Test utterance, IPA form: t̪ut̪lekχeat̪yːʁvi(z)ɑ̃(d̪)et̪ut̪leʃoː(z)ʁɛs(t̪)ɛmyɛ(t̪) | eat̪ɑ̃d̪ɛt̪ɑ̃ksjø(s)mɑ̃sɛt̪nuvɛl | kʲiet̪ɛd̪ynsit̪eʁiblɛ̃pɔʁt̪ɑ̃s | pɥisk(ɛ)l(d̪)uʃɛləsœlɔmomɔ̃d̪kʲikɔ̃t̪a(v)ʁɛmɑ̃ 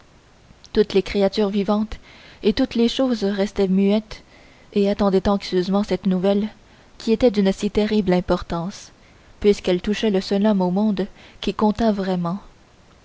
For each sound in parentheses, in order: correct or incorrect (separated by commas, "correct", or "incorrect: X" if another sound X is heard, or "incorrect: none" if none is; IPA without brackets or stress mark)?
incorrect: v, incorrect: t̪, correct, correct, correct, incorrect: z, correct, incorrect: t̪, correct